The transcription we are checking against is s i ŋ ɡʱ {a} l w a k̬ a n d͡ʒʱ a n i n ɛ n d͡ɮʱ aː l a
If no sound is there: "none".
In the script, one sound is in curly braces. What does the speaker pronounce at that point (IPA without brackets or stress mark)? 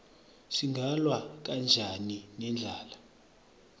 a